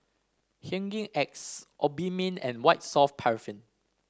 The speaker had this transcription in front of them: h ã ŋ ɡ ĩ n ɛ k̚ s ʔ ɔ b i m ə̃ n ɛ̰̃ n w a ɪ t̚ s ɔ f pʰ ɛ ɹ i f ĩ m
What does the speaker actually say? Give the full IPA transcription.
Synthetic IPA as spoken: h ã ŋ ɡ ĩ ŋ ɛ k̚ s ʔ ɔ b i m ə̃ n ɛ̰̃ n w a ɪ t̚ s ɔ f pʰ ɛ ɹ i f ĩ n